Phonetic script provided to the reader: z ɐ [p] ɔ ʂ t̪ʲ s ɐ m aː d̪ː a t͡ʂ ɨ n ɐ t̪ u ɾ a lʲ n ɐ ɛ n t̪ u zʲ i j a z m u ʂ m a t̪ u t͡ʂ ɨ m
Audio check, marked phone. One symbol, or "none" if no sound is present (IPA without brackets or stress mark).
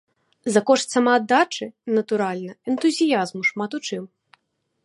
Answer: k